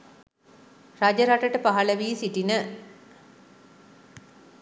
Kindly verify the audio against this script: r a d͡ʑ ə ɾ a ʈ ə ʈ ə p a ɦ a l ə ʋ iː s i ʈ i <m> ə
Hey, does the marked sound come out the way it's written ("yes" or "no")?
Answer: no